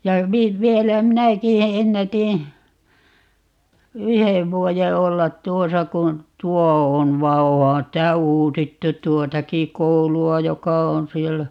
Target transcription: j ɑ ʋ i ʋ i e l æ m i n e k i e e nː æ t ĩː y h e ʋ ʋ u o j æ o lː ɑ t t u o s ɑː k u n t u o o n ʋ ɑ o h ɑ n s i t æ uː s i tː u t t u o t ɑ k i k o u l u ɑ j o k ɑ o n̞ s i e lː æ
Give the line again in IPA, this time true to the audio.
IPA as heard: j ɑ ʋ i ʋ i e l æ m i n æ k i e e nː æ t ĩː y h e ʋ ʋ u o j e o lː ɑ t t u o s ɑ k u n t u o o n ʋ ɑ o h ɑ n s i t æ uː s i tː u t t u o t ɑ k i k o u l u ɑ j o k ɑ o n̞ s i e lː æ

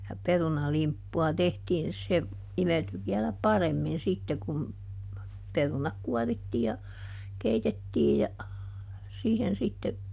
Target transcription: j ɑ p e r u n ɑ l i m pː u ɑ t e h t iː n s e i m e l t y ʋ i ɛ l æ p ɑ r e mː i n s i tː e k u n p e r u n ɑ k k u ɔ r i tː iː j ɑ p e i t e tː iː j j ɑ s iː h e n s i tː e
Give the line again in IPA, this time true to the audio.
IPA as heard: j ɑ p e r u n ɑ l i m pː u ɑ t e h t iː n s e i m e l t y ʋ i ɛ l æ p ɑ r e mː i n s i tː e k u n p e r u n ɑ k k u ɔ r i tː iː j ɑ k e i t e tː iː j j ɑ s iː h e n s i tː e

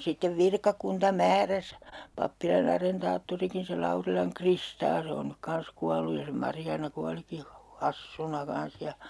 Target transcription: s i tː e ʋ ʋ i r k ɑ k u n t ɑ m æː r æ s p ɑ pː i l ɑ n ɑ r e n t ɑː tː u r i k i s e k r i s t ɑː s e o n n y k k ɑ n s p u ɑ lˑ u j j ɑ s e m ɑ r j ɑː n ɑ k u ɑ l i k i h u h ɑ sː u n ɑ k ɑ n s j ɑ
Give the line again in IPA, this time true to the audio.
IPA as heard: s i tː e ʋ ʋ i r k ɑ k u n t ɑ m æː r æ s p ɑ pː i l ɑ n ɑ r e n t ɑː tː u r i k i s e k r i s t ɑː s e o n n y k k ɑ n s k u ɑ lˑ u j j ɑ s e m ɑ r j ɑː n ɑ k u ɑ l i k i h u h ɑ sː u n ɑ k ɑ n s j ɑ

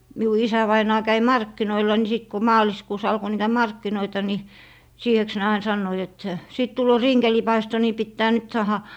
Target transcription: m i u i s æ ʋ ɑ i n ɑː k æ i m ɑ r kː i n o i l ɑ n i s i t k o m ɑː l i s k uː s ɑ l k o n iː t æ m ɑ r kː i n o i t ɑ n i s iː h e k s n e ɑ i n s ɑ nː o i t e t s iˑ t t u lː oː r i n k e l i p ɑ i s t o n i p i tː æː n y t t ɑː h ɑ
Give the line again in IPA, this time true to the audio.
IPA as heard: m i u i s æ ʋ ɑ i n ɑː k æ i m ɑ r kː i n o i l ɑ n i s i t k o m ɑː l i s k uː s ɑ l k o n iː t æ m ɑ r kː i n o i t ɑ n i s iː h e k s n e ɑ i n s ɑ nː o i t e t s iˑ t t u lː oː r i n k e l i p ɑ i s t o n i p i tː æː n y t s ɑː h ɑ

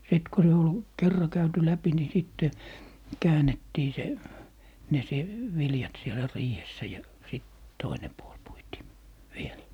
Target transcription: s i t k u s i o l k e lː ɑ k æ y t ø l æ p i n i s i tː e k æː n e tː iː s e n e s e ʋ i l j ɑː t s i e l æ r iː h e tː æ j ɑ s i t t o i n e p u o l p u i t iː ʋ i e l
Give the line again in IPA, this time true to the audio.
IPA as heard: s i t k u s e o l k e rː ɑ k æ y t y l æ p i n i s i tː e k æː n e tː iː s e n e s e ʋ i l j ɑ t s i e l æ r iː h e sː æ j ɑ s i t t o i n e p u o l p u i t iː ʋ i e l

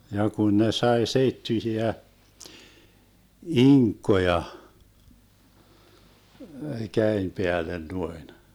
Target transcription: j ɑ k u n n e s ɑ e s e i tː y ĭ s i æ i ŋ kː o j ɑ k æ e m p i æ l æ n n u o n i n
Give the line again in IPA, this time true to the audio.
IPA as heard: j ɑ k u n n e s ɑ i s e i tː y ĭ s i æ i ŋ kː o j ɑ k æ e m p e æ l e n n u o i n

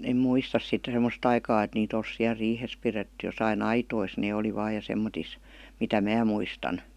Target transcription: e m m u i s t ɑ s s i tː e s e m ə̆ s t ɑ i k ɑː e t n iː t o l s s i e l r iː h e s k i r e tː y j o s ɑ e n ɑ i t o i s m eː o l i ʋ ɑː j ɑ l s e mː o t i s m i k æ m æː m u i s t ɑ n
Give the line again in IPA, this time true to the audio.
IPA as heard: e m m u i s t ɑ s s i tː e s e m ə̆ s t ɑ i k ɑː e t n iː t o l s s i æ l r iː h e s p i r e tː y j o s ɑ i n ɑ i t o i s n eː o l i ʋ ɑː j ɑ s e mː o t i s m i t æ m æː m u i s t ɑ n

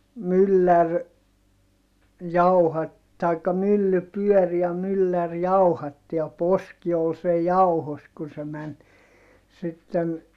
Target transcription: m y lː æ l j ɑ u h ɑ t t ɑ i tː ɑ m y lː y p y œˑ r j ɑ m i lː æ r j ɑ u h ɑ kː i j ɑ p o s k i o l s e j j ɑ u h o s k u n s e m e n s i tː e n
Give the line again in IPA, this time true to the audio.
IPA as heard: m y lː æ r j ɑ u h ɑ t t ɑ i kː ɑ m y lː y p y œˑ r j ɑ m y lː æ r j ɑ u h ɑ tː i j ɑ p o s k i o l s e j j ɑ u h o s k u n s e m æ n s i tː e n

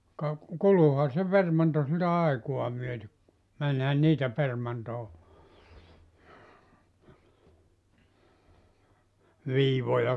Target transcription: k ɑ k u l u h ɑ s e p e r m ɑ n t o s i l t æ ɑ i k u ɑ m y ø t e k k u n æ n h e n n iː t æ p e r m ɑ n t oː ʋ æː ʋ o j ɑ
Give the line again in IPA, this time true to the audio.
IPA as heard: k ɑ k u l u h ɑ s e p e r m ɑ n t o s i l t æ ɑ i k u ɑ m y ø t e k k u m æ n h æ n n iː t æ p e r m ɑ n t oː ʋ iː ʋ o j ɑ

